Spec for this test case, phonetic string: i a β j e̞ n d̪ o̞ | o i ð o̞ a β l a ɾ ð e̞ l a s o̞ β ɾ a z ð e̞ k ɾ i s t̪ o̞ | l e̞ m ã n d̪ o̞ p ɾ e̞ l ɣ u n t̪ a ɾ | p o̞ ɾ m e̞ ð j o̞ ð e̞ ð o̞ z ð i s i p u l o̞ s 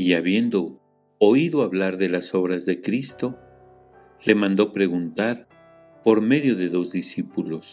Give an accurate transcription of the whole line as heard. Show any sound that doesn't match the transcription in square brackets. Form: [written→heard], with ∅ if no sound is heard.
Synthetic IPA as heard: i a β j e̞ n d̪ o̞ | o i ð o̞ a β l a ɾ ð e̞ l a s o̞ β ɾ a z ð e̞ k ɾ i s t̪ o̞ | l e̞ m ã n d̪ o̞ p ɾ e̞ [l→∅] ɣ u n t̪ a ɾ | p o̞ ɾ m e̞ ð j o̞ ð e̞ ð o̞ z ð i s i p u l o̞ s